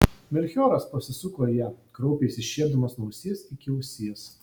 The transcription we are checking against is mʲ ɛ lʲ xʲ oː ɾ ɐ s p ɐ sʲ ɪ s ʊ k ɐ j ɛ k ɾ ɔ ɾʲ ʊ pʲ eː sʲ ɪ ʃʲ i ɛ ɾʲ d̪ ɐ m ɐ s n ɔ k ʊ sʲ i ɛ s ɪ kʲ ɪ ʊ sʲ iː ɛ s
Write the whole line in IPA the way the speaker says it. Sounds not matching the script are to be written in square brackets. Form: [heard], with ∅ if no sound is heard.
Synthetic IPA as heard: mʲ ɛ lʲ xʲ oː ɾ ɐ s p ɐ sʲ ɪ s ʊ k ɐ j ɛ k ɾ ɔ [∅] ʊ pʲ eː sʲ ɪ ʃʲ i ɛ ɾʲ d̪ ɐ m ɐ s n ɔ [∅] ʊ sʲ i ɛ s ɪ kʲ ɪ ʊ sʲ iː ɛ s